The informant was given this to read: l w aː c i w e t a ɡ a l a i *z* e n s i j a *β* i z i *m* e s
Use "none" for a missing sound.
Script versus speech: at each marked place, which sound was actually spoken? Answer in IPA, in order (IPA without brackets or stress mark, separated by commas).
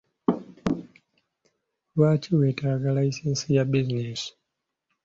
s, b, n